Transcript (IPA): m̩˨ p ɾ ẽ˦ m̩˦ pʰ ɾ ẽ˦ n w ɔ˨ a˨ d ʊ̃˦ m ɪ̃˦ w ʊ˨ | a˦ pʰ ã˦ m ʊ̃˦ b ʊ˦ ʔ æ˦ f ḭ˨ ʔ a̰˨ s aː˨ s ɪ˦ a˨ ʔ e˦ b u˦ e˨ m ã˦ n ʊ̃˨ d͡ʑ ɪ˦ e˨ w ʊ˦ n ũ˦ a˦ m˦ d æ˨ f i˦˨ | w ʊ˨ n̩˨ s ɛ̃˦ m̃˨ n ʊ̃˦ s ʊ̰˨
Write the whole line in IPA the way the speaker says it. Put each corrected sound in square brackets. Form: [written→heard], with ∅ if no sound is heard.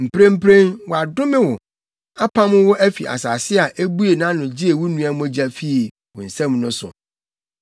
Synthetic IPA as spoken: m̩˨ p ɾ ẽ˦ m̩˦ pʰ ɾ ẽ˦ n w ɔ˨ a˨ d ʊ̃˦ m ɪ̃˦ w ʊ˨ | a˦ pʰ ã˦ m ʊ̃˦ [b→w] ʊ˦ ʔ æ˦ f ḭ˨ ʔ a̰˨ s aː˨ s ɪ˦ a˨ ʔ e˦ b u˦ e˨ [m→n] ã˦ n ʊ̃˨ d͡ʑ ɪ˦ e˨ w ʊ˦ n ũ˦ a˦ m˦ [d→d͡ʑ] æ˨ f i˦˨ | w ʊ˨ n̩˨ s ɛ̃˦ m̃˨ n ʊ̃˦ s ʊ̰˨

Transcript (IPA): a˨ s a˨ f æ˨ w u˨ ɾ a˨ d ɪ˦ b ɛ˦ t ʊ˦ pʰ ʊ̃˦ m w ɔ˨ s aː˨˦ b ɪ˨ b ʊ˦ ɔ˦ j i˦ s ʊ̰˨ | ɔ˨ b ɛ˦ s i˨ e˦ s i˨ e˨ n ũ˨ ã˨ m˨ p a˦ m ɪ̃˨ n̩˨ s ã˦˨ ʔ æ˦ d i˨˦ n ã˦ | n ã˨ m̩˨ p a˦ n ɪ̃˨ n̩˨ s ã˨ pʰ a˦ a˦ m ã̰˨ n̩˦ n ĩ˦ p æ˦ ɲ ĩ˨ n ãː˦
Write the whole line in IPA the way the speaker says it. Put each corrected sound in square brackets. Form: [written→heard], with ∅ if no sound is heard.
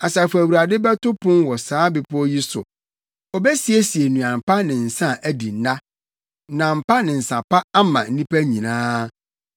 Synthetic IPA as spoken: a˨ s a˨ f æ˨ w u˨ ɾ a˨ d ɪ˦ b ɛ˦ t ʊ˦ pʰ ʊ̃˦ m w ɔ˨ s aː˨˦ b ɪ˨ [b→p] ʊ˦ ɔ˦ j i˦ s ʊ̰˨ | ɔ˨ b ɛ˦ s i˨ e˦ s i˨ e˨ n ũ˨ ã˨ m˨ p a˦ [m→n] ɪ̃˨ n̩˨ s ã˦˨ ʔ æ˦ d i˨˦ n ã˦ | n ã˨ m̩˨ p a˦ n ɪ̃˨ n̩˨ s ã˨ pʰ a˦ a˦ m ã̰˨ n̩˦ n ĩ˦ p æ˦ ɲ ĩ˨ n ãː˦

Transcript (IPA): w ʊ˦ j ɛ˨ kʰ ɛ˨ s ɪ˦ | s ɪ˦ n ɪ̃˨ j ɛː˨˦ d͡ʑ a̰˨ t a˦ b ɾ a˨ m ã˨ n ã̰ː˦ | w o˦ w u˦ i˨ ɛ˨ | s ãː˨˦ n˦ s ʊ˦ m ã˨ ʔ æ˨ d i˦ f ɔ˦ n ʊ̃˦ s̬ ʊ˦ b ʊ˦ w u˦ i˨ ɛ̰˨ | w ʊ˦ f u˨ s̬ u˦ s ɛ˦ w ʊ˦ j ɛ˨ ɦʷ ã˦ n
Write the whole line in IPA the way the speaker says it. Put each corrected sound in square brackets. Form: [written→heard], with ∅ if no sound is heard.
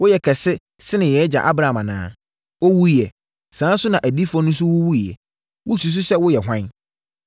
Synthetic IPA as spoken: w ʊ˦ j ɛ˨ kʰ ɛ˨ s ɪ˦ | s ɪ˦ n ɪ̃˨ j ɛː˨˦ d͡ʑ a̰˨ [t→ʔ] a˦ b ɾ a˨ m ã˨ n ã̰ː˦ | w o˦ w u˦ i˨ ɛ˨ | s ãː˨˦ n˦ s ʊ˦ [m→n] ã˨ ʔ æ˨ d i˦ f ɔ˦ n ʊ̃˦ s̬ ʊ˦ [b→w] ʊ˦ w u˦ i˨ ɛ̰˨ | w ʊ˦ [f→s] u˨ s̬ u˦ s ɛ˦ w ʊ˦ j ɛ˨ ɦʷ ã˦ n

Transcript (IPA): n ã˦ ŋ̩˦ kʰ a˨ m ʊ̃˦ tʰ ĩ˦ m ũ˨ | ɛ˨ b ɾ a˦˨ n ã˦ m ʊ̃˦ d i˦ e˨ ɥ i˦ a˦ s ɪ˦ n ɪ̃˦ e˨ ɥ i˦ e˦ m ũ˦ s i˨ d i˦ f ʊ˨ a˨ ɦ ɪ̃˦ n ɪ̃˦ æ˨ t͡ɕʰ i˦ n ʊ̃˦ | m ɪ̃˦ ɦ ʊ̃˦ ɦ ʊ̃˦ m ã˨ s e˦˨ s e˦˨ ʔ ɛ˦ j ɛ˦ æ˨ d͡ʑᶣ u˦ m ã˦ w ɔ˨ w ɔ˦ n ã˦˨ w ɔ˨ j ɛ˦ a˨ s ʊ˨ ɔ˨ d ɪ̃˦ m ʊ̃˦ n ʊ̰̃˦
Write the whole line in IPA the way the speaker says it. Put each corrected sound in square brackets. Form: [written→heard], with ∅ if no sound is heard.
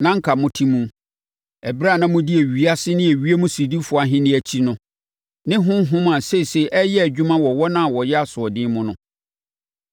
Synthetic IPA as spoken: n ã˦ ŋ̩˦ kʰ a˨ m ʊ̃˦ tʰ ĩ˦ m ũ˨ | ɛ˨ b ɾ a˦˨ n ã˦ m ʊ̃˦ d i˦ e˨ ɥ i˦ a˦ s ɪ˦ n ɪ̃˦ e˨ ɥ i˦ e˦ m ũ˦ s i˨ d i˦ f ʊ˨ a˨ ɦ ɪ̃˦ n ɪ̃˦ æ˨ t͡ɕʰ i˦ n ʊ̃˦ | [m→n] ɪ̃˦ ɦ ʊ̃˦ ɦ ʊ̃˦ m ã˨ s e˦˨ s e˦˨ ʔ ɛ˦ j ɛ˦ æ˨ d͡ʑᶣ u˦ m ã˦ w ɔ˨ w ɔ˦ n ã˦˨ w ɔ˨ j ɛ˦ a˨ s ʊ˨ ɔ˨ d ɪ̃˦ m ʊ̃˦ n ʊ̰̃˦

